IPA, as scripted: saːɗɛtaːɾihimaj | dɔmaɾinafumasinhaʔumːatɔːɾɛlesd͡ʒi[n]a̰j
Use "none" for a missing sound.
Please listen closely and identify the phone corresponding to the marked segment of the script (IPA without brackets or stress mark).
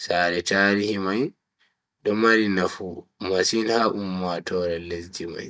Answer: m